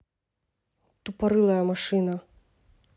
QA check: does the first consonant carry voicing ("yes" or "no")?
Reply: no